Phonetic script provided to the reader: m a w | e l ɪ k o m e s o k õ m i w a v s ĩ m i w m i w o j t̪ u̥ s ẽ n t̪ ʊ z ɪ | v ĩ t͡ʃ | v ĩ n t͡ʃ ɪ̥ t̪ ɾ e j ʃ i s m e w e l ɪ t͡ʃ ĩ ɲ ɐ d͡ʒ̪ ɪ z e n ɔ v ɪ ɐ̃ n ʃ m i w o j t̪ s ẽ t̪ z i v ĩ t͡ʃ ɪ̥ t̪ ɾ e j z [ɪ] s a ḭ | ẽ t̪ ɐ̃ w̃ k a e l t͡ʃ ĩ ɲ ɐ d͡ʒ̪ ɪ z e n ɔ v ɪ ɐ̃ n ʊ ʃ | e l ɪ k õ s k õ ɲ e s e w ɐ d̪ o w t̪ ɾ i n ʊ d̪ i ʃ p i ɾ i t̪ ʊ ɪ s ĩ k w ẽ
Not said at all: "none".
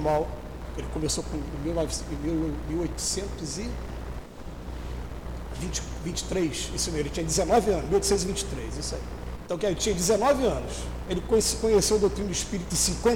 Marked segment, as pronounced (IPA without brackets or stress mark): i